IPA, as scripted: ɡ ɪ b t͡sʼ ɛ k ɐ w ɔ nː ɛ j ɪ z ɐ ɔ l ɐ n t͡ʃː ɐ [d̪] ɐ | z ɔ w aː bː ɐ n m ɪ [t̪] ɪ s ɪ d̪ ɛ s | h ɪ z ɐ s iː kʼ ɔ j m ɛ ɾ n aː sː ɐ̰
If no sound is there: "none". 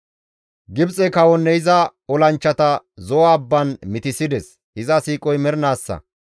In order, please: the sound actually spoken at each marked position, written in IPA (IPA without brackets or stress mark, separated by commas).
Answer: t̪, t̪